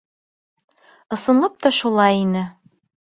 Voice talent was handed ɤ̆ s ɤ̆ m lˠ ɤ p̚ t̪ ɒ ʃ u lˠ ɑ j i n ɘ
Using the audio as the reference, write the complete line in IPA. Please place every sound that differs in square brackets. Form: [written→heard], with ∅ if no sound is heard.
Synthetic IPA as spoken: ɤ̆ s ɤ̆ [m→n] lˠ ɤ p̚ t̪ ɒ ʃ u lˠ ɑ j i n ɘ